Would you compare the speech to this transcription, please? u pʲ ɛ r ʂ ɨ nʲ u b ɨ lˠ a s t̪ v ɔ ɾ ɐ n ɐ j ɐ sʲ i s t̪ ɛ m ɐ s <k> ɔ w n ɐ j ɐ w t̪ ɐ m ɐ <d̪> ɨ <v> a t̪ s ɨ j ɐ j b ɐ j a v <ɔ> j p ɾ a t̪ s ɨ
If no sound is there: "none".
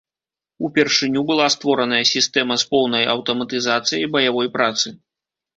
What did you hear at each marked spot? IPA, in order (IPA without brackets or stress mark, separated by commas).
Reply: p, t̪, z, ɔ